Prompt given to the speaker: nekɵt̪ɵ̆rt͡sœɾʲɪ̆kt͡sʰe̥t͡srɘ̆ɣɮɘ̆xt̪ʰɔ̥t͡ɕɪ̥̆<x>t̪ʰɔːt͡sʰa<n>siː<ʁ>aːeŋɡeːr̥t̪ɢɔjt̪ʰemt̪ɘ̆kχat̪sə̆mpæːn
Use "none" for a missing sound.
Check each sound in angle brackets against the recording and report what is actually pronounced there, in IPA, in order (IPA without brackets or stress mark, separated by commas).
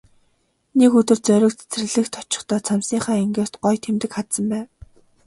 χ, m, χ